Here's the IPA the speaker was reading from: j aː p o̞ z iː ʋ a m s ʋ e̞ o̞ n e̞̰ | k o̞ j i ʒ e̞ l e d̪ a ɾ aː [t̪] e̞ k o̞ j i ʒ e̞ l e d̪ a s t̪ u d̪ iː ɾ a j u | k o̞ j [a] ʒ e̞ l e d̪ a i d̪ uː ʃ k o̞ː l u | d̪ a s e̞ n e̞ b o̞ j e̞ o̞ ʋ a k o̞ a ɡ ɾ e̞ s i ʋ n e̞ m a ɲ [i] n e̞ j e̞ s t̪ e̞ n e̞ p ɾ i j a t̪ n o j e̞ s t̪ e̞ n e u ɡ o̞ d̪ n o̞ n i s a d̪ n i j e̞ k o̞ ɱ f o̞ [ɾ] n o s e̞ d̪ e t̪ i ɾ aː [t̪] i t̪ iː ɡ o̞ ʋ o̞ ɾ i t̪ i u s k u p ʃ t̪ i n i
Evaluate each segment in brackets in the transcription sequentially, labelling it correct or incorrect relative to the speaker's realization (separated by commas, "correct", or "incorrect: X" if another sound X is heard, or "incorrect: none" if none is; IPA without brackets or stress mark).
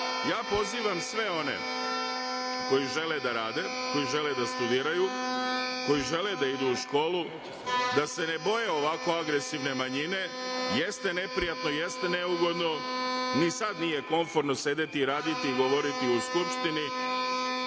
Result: incorrect: d̪, incorrect: i, correct, correct, incorrect: d̪